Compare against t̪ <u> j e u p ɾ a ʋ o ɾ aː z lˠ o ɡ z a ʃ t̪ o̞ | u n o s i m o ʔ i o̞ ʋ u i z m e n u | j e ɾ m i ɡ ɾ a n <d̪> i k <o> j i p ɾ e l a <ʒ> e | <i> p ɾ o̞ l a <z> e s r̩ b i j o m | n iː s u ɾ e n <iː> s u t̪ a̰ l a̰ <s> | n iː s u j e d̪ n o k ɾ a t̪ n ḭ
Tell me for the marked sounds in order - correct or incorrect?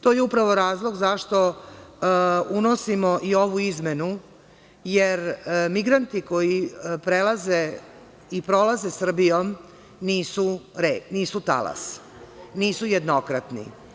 incorrect: o, incorrect: t̪, correct, incorrect: z, correct, correct, correct, correct

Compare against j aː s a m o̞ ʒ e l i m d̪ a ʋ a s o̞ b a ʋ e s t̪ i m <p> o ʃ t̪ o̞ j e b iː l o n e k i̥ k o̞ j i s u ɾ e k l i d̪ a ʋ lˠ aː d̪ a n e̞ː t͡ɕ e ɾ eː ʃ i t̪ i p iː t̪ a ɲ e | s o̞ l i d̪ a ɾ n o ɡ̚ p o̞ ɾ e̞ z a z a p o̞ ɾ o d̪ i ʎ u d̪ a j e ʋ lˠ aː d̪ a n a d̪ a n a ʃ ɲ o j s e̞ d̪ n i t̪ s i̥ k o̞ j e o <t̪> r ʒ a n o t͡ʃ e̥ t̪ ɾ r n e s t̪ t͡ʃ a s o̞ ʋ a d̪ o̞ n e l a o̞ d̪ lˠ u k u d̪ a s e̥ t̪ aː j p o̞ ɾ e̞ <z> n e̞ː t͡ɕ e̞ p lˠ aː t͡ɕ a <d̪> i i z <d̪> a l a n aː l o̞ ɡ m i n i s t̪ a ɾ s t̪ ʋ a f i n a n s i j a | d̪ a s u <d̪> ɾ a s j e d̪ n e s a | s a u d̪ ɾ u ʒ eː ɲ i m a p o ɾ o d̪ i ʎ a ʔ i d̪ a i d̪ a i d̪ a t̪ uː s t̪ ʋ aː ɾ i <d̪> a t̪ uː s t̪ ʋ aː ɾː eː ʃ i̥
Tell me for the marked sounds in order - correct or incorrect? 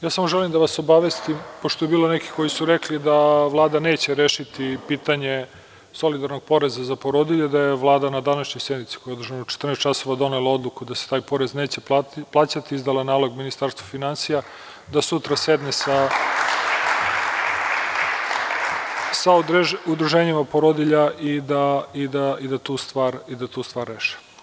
correct, incorrect: d̪, correct, incorrect: t̪, correct, incorrect: t̪, correct

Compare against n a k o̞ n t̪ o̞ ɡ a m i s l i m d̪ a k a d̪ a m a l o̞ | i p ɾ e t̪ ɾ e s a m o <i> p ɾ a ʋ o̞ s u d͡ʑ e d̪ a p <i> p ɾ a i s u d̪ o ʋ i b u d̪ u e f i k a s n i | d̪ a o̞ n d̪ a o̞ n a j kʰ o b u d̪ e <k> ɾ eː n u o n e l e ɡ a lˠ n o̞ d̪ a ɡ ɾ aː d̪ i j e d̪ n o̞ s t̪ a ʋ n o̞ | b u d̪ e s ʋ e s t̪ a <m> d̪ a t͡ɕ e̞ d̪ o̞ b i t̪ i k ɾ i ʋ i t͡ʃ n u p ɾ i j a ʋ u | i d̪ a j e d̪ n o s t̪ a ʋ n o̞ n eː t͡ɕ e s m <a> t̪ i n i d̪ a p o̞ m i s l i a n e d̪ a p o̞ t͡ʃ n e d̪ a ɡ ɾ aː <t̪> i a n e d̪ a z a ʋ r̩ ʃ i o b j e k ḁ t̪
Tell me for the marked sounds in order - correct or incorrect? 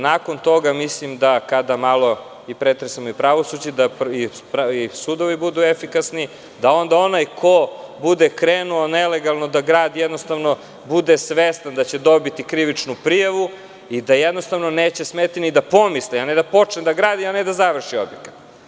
correct, correct, correct, incorrect: n, incorrect: e, incorrect: d̪

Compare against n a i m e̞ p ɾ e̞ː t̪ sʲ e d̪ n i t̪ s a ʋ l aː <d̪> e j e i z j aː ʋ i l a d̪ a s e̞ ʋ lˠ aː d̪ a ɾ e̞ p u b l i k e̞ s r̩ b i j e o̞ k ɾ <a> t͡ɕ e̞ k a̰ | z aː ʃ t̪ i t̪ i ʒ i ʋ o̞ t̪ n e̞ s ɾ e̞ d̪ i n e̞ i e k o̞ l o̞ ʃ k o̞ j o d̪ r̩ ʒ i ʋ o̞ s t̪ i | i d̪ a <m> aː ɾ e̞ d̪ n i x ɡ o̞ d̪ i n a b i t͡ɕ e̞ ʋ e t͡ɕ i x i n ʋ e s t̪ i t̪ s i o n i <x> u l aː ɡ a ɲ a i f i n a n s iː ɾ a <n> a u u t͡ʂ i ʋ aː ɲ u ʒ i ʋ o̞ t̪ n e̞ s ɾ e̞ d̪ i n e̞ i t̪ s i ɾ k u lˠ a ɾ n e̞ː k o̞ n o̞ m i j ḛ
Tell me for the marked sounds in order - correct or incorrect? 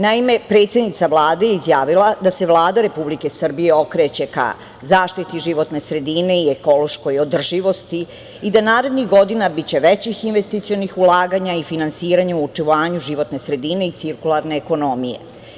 correct, incorrect: e, incorrect: n, correct, incorrect: ɲ

